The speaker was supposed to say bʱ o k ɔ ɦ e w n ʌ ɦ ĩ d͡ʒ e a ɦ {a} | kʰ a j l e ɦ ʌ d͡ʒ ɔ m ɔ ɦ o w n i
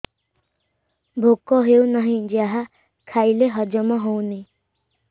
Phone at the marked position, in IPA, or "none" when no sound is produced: a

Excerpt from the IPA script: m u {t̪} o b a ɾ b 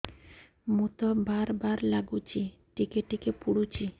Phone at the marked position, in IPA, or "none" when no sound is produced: t̪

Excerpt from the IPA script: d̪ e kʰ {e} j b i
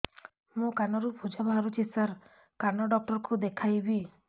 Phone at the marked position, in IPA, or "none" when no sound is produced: a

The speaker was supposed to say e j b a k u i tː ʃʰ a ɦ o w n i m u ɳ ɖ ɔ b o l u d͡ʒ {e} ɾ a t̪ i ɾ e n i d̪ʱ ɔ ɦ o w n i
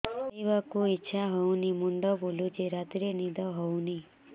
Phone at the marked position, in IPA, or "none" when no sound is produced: e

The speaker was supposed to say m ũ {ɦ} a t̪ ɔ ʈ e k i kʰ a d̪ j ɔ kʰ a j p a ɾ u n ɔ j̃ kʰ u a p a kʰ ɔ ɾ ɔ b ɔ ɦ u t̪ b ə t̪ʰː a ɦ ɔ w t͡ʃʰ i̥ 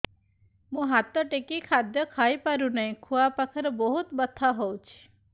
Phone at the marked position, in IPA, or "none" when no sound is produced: ɦ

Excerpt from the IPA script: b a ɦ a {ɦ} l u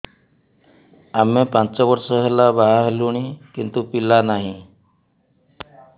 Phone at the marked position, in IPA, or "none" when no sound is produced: ɦ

